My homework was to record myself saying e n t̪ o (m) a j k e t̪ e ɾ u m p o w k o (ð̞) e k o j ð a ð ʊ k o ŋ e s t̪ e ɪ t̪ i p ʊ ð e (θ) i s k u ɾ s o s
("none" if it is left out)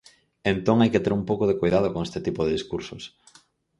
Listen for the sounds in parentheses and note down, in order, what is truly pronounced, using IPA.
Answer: ŋ, ð̞, ð

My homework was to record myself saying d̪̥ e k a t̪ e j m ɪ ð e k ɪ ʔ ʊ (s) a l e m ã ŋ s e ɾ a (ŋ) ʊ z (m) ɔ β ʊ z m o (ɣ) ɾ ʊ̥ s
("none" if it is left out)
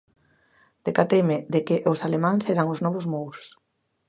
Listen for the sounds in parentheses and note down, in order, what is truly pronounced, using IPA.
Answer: s, ŋ, n, w

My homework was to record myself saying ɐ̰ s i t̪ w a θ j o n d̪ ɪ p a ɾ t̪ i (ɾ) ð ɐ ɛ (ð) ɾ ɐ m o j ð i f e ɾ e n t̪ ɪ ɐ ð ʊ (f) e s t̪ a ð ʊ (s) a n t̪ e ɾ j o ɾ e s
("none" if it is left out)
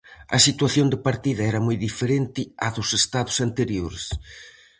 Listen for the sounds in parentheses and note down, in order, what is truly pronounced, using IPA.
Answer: none, none, s, s

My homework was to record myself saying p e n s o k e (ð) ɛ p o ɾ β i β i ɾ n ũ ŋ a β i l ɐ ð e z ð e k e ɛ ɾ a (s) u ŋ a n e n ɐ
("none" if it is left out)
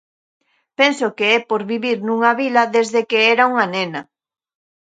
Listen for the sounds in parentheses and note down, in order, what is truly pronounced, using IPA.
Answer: none, none

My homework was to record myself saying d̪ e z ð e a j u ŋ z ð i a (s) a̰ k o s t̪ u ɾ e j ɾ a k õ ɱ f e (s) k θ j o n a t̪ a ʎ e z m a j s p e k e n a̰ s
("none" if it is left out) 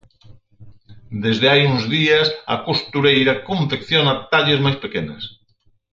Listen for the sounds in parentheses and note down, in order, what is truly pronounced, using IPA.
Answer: s, none

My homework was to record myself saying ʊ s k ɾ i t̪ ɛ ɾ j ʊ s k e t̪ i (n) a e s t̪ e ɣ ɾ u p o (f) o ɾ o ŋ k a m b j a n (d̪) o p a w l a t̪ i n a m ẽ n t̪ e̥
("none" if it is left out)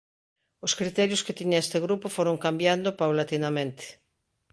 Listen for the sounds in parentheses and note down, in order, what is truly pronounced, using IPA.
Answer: ɲ, f, d̪

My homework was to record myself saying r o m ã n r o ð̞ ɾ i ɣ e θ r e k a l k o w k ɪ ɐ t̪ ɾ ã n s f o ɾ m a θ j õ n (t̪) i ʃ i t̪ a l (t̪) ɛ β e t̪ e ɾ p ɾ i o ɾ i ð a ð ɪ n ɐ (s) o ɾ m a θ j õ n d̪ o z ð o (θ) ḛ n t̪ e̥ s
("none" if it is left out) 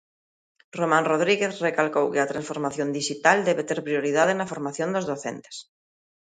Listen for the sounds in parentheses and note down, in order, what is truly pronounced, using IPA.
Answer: d̪, d̪, f, θ

